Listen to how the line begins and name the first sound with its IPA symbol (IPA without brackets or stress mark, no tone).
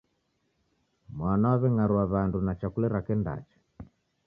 m